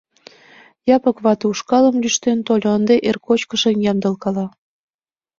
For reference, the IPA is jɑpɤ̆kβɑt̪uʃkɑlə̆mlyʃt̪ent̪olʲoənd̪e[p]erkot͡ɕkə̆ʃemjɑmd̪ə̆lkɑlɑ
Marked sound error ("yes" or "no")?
yes